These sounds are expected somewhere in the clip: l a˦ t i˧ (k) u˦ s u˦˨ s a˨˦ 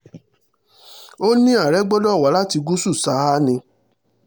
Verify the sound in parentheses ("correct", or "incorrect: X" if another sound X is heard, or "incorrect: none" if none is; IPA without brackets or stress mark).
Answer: incorrect: ɡ